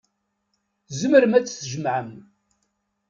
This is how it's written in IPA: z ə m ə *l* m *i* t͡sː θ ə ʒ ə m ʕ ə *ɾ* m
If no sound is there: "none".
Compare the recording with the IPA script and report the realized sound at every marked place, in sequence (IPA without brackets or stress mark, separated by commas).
ɾ, æ, none